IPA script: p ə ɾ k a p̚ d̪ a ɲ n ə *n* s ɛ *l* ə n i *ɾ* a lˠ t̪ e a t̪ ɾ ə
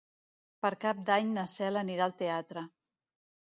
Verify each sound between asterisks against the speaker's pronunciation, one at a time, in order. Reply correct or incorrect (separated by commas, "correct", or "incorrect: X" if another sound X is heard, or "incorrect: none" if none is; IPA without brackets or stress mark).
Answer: incorrect: none, correct, correct